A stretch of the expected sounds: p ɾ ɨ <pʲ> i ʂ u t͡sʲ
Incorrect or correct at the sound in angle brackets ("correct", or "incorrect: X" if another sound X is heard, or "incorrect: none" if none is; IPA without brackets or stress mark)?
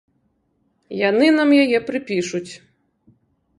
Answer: correct